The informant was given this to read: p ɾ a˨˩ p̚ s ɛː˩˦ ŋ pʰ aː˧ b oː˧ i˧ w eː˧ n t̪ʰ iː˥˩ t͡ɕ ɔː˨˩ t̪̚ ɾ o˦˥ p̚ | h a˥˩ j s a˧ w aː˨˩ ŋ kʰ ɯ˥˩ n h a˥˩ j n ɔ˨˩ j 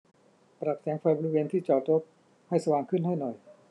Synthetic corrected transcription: p ɾ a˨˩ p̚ s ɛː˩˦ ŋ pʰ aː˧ b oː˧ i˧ w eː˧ n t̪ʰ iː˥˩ t͡ɕ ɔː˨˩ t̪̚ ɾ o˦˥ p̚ | h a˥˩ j s a˧ w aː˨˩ ŋ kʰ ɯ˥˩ n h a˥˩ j n ɔ˨˩ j